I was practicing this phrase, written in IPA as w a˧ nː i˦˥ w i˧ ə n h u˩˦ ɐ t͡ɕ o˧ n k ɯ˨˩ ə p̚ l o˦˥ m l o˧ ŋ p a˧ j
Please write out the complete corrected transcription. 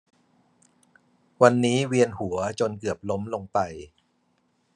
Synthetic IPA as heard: w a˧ nː iː˦˥ w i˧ ə n h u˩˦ ɐ t͡ɕ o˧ n k ɯ˨˩ ə p̚ l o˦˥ m l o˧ ŋ p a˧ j